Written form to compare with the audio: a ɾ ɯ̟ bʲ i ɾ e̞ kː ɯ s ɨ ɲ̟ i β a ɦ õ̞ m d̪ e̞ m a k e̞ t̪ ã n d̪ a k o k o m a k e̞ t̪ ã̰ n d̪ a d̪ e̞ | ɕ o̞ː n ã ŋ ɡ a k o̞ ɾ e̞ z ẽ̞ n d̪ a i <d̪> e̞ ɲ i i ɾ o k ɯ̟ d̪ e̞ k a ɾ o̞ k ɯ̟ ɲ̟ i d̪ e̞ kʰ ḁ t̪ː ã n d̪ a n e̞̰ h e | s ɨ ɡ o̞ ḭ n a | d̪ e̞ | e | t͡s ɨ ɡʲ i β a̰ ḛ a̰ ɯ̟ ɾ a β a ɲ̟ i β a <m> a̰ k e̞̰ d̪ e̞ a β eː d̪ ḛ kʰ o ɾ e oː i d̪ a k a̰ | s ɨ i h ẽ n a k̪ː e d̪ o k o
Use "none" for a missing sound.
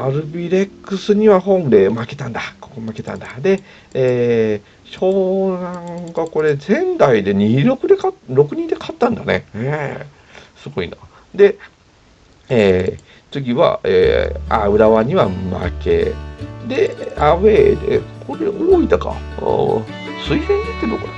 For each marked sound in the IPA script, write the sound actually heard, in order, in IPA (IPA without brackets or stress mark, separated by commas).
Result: d̪, m